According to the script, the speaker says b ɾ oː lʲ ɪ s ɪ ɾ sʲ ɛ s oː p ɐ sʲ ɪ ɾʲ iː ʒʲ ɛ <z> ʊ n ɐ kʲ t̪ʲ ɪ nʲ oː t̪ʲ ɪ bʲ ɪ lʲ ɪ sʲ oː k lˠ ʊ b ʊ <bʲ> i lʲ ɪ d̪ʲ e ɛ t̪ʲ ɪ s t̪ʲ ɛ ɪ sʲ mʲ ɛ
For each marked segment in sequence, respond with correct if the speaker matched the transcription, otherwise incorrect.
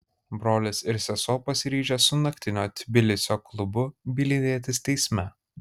incorrect, correct

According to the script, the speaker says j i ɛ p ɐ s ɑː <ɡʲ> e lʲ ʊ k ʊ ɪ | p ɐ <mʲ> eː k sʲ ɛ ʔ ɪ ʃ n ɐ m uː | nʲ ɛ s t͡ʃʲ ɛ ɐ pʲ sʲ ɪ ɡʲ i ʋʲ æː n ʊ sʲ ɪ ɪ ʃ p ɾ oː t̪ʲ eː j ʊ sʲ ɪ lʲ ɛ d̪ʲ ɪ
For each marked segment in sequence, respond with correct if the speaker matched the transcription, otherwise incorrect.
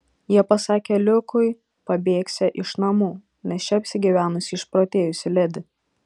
incorrect, incorrect

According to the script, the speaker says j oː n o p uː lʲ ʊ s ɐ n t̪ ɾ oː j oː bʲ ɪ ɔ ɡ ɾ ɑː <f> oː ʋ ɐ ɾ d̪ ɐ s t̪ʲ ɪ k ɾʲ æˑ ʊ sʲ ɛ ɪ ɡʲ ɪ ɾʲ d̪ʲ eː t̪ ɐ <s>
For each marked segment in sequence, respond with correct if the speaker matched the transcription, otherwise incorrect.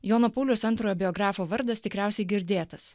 correct, correct

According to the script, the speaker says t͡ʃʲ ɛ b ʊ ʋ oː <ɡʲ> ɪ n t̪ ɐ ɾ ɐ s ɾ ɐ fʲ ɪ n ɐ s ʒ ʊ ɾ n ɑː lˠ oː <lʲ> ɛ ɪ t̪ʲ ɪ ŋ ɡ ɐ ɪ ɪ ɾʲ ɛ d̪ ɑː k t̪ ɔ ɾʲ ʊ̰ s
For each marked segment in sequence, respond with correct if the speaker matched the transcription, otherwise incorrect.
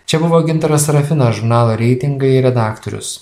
correct, incorrect

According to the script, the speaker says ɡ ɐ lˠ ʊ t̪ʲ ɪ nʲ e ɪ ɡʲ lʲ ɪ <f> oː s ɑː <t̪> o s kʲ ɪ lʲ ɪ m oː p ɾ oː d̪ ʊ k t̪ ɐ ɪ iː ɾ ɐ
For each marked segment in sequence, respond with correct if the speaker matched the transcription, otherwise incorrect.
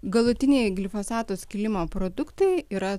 correct, correct

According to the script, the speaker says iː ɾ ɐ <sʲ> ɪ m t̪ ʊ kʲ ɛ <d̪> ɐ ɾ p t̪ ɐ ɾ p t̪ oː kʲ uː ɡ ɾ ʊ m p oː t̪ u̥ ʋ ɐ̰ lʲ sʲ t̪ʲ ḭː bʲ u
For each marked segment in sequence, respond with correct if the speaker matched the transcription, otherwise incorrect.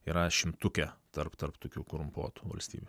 incorrect, incorrect

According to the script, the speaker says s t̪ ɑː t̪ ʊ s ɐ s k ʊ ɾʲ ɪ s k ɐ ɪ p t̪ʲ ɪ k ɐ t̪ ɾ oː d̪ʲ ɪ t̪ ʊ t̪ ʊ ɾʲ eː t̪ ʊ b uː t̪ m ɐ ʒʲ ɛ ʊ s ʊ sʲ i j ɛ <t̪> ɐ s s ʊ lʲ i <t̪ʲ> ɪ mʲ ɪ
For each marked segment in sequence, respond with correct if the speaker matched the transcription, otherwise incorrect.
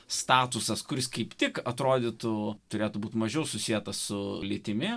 correct, correct

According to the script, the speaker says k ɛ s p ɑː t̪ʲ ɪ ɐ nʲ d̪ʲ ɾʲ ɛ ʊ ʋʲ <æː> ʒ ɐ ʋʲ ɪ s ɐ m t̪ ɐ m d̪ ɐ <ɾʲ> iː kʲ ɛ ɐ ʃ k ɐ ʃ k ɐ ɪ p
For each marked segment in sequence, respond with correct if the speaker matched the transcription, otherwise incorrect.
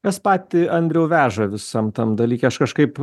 correct, incorrect

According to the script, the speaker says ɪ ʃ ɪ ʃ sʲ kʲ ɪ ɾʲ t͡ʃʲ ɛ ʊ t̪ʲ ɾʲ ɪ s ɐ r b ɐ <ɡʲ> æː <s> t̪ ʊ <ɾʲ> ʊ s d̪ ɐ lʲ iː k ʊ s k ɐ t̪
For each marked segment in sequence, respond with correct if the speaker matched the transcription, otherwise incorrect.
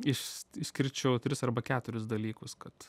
incorrect, incorrect, correct

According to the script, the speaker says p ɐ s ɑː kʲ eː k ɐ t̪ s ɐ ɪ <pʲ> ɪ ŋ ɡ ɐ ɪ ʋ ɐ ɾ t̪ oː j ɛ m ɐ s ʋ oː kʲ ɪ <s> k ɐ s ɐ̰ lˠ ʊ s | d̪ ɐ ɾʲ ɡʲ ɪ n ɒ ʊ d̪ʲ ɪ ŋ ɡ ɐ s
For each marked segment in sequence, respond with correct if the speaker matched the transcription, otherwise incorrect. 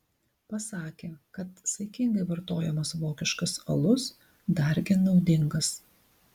incorrect, incorrect

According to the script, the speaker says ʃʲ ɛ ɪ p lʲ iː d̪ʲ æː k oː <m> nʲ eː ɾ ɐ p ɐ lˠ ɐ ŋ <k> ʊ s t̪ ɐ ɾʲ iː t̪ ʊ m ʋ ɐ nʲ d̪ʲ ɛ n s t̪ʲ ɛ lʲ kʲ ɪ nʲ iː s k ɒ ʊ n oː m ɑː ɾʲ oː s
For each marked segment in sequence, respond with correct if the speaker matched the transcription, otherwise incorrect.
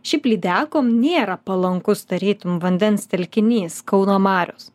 correct, correct

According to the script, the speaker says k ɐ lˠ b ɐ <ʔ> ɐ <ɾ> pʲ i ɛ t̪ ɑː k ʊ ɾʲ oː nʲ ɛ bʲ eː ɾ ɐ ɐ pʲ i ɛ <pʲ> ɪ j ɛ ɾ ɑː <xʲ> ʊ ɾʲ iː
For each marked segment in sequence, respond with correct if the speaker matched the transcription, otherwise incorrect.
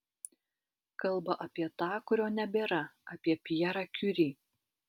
correct, incorrect, correct, incorrect

